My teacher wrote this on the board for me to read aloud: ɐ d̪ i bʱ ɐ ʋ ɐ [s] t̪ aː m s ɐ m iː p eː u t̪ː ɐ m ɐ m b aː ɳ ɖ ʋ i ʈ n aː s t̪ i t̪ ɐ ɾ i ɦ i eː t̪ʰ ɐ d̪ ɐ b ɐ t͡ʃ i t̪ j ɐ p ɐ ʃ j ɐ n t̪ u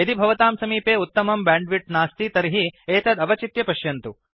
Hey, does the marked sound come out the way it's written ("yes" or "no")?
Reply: no